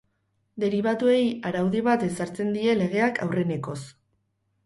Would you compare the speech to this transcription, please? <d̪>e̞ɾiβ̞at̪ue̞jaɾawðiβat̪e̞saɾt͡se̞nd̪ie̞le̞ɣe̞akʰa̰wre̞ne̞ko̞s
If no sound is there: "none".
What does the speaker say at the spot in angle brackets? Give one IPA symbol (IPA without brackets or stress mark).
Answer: d̪